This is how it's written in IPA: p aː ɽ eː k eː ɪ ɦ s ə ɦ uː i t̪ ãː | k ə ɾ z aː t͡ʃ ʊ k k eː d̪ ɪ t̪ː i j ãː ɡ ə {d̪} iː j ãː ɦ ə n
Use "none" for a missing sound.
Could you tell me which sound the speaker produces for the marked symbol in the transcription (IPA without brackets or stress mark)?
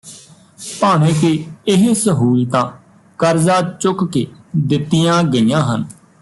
none